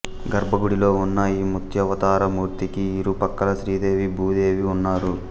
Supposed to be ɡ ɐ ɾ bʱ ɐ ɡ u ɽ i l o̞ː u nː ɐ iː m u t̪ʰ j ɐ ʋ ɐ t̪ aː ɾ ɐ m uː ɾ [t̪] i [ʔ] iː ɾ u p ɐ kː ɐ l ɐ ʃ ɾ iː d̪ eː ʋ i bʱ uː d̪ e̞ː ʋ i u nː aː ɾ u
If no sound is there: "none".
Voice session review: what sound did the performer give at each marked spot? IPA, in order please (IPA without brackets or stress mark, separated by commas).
t̪, k